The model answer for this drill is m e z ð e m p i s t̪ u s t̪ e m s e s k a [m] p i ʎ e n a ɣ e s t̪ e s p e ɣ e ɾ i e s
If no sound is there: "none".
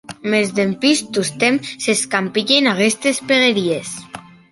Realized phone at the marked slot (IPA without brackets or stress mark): m